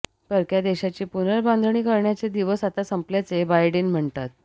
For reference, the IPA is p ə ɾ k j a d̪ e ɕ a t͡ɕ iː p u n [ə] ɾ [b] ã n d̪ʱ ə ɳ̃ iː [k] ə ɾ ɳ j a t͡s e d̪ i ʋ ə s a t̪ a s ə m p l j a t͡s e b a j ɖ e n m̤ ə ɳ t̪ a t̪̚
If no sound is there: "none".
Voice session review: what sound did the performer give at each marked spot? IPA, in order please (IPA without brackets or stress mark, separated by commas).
ə, b, k